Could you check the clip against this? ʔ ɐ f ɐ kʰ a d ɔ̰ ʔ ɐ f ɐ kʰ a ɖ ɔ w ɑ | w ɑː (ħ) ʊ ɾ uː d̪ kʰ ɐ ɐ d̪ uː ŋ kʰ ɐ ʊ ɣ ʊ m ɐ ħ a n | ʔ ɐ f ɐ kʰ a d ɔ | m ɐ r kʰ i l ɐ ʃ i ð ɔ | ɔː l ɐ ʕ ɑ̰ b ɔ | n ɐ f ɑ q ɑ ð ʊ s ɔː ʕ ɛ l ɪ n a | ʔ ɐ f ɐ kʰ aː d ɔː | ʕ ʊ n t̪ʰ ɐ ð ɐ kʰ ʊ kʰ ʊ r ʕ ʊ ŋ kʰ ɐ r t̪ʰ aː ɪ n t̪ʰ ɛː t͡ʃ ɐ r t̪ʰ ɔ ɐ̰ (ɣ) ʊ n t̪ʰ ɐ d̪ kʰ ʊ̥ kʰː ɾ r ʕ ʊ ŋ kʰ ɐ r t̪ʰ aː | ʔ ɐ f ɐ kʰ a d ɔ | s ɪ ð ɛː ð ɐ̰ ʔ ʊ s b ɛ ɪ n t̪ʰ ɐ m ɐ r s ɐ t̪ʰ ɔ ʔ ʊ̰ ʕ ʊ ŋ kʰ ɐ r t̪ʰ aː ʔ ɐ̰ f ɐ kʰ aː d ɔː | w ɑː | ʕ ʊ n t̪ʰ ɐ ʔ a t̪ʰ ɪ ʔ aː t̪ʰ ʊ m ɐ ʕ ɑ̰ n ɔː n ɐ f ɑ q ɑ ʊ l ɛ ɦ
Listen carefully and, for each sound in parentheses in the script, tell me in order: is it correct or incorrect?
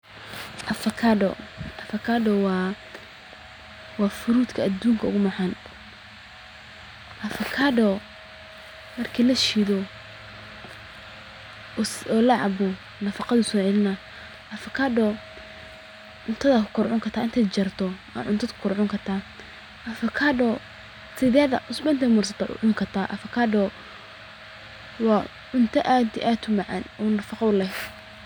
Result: incorrect, incorrect

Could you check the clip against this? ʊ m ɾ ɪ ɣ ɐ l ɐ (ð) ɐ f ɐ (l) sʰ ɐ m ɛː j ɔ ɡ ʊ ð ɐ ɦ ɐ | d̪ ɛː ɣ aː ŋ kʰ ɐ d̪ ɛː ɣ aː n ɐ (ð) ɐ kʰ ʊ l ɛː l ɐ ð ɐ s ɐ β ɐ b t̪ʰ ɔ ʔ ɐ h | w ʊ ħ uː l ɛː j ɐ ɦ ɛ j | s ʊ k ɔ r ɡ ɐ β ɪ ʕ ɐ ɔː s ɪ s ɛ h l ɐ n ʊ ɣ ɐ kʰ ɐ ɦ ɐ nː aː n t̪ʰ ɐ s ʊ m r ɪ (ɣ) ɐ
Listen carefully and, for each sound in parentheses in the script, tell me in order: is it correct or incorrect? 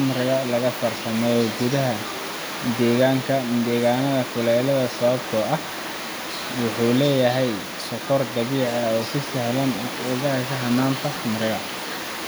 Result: incorrect, incorrect, correct, correct

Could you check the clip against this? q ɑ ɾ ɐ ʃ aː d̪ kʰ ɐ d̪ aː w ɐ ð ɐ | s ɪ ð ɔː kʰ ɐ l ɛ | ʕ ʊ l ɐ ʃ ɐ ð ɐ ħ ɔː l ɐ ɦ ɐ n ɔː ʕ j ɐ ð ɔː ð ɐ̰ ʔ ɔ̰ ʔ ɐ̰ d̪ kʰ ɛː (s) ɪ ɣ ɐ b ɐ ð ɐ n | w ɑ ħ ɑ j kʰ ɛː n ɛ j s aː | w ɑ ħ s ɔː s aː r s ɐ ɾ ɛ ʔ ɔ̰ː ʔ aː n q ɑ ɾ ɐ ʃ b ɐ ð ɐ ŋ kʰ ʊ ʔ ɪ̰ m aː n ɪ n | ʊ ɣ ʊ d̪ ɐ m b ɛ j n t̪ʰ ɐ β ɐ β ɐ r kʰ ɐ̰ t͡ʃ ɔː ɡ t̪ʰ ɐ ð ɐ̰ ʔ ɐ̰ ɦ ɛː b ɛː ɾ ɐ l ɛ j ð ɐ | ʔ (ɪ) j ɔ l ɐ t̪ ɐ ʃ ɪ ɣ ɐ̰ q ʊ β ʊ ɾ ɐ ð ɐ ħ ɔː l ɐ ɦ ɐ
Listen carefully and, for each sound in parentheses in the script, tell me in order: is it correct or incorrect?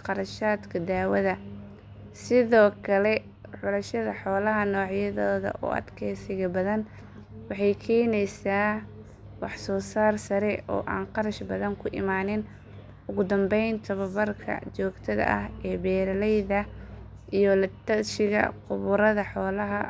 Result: correct, incorrect

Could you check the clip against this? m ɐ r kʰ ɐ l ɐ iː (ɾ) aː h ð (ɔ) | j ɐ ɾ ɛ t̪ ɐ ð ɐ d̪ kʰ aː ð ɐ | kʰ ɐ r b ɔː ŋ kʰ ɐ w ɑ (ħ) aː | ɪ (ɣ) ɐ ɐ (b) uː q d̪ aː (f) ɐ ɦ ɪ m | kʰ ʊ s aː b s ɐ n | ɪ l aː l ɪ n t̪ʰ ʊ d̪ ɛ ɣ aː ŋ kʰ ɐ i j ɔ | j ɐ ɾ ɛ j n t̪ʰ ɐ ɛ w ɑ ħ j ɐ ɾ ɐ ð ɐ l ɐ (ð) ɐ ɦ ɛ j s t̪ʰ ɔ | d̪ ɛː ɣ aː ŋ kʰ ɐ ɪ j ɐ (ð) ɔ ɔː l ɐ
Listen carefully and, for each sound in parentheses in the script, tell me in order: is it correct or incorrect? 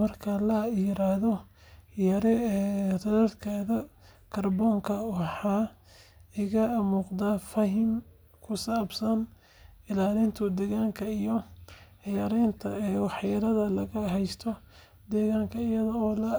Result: correct, correct, correct, correct, incorrect, correct, incorrect, correct

